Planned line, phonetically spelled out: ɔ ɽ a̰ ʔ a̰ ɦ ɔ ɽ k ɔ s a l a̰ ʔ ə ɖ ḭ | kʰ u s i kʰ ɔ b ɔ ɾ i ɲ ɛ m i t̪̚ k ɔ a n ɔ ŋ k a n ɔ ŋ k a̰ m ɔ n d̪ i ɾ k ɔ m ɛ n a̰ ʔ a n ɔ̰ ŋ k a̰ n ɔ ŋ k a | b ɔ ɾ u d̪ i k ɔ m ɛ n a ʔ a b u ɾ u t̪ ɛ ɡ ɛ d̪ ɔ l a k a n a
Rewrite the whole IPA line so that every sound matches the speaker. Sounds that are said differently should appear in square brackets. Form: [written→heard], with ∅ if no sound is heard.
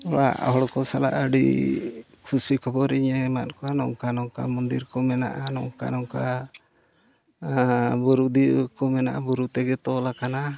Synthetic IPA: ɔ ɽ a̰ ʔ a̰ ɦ ɔ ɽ k ɔ s a l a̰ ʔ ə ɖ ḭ | kʰ u s i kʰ ɔ b ɔ ɾ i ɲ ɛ m [i→a] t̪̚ k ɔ a n ɔ ŋ k a n ɔ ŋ k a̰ m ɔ n d̪ i ɾ k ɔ m ɛ n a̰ ʔ a n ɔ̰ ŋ k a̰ n ɔ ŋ k a | b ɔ ɾ u d̪ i k ɔ m ɛ n a ʔ a b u ɾ u t̪ ɛ ɡ ɛ [d̪→t̪] ɔ l a k a n a

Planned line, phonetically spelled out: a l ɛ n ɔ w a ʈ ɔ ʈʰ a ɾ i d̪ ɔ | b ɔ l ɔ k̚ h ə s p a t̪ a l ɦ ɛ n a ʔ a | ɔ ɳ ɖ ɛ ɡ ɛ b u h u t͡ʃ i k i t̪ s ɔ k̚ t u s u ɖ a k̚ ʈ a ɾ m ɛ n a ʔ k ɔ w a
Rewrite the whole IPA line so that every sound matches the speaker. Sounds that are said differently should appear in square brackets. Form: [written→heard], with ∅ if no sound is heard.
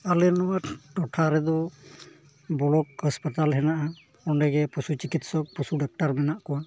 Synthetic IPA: a l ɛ n ɔ w a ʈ ɔ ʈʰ a ɾ [i→ɛ] d̪ ɔ | b ɔ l ɔ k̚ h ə s p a t̪ a l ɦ ɛ n a ʔ a | ɔ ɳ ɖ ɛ ɡ ɛ [b→p] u [h→s] u t͡ʃ i k i t̪ s ɔ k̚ [t→p] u s u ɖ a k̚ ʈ a ɾ m ɛ n a ʔ k ɔ w a

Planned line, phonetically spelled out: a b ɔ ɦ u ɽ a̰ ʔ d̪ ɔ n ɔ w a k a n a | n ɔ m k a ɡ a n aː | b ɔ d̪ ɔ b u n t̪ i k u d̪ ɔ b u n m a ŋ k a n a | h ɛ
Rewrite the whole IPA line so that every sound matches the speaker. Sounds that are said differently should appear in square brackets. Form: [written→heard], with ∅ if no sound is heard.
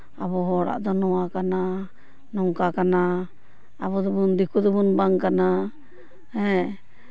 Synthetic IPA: a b ɔ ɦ [u→ɔ] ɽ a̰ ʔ d̪ ɔ n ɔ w a k a n a | n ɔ [m→ŋ] k a [ɡ→k] a n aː | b ɔ d̪ ɔ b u n [t̪→d̪] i k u d̪ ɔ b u n [m→b] a ŋ k a n a | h ɛ

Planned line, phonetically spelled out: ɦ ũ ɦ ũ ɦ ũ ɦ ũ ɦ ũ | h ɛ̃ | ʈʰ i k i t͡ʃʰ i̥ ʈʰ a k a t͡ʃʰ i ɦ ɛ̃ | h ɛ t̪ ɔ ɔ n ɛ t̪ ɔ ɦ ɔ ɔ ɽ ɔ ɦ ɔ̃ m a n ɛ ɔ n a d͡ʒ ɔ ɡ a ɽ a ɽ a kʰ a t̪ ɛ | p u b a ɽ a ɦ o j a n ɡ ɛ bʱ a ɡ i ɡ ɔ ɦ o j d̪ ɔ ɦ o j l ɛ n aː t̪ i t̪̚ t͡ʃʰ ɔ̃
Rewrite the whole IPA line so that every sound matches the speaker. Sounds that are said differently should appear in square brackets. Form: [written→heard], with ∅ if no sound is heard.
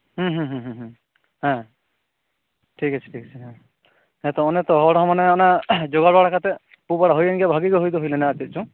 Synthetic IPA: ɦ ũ ɦ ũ ɦ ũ ɦ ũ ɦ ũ | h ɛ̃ | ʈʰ i k [i→a] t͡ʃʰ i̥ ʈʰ [a→i] k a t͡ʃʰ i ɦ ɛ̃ | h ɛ t̪ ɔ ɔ n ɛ t̪ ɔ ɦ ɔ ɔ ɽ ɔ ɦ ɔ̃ m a n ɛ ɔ n a d͡ʒ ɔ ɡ a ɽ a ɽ a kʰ a t̪ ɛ | p u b a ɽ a ɦ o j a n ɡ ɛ bʱ a ɡ i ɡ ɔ ɦ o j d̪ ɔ ɦ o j l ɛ n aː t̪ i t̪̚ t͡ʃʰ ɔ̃

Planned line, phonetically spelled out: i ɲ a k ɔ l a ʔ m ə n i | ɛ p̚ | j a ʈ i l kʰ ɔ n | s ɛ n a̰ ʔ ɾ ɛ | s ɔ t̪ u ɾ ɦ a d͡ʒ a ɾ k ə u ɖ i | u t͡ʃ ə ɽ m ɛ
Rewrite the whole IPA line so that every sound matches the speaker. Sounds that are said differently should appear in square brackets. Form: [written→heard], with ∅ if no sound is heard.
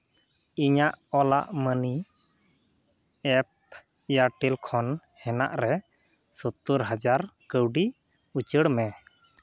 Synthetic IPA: i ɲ a [k→ʔ] ɔ l a ʔ m ə n i | ɛ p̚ | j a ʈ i l kʰ ɔ n | [s→h] ɛ n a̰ ʔ ɾ ɛ | s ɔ t̪ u ɾ ɦ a d͡ʒ a ɾ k ə [u→w] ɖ i | u t͡ʃ ə ɽ m ɛ

